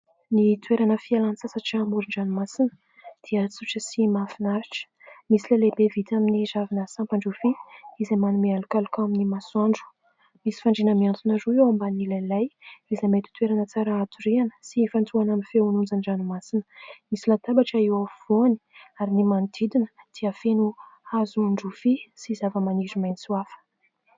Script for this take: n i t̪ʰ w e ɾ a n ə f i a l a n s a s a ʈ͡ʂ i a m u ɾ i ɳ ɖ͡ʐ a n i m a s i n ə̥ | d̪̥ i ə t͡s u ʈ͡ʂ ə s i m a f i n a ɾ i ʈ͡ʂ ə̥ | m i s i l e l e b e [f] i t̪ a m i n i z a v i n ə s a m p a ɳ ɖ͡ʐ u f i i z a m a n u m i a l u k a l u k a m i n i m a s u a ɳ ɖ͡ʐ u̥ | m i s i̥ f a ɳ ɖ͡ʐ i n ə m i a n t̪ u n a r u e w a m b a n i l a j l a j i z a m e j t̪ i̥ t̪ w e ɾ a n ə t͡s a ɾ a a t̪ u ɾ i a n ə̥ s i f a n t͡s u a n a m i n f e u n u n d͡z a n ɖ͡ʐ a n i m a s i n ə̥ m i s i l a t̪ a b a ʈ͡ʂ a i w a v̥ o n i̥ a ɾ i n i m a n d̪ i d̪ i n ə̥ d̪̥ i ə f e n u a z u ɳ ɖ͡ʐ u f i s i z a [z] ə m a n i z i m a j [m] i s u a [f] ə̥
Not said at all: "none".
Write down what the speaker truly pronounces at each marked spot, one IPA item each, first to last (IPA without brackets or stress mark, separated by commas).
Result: v, v, n, f